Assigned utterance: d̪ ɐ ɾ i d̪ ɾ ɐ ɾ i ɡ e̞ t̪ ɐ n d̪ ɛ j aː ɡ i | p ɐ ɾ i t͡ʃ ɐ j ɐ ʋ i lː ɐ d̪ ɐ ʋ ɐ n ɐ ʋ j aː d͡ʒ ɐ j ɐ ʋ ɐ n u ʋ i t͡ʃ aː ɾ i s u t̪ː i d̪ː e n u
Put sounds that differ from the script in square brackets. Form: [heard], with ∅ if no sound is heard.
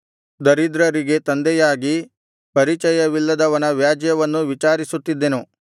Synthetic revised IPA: d̪ ɐ ɾ i d̪ ɾ ɐ ɾ i ɡ e̞ t̪ ɐ n d̪ ɛ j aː ɡ i | p ɐ ɾ i t͡ʃ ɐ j ɐ ʋ i lː ɐ d̪ ɐ ʋ ɐ n ɐ ʋ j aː d͡ʒ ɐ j ɐ ʋ ɐ [nː] u ʋ i t͡ʃ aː ɾ i s u t̪ː i d̪ː e n u